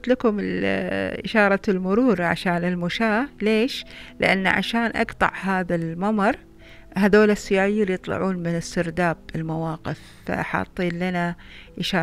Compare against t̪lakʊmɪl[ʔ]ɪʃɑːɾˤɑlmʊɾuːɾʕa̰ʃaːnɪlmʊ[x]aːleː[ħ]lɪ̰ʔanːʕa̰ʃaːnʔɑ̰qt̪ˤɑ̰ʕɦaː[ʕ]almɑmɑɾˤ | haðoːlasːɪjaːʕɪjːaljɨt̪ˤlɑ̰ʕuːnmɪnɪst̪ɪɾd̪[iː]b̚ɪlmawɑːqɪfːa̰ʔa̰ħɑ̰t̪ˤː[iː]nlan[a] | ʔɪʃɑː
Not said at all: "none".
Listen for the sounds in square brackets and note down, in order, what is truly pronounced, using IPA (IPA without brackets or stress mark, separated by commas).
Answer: ʔ, ʃ, ʃ, ð, aː, iː, a